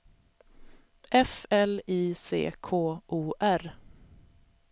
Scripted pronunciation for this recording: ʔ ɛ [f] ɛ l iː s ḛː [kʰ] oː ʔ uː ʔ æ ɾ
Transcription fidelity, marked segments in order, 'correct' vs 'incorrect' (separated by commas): correct, correct